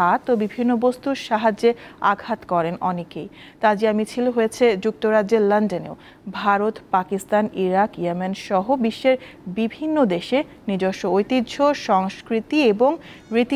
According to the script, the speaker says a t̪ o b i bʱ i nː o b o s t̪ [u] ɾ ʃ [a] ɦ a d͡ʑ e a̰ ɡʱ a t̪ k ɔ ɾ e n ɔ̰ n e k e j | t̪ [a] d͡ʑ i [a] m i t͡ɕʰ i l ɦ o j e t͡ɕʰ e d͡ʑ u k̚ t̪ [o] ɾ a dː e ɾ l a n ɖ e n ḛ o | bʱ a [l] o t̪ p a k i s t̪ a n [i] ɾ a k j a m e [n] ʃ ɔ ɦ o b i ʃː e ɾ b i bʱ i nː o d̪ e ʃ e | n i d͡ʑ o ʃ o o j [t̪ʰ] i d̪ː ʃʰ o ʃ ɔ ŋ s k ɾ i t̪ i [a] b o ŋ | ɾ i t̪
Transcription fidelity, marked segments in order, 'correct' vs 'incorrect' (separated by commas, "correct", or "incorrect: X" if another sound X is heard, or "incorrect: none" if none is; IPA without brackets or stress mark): correct, correct, correct, correct, correct, incorrect: ɾ, correct, correct, incorrect: t̪, incorrect: e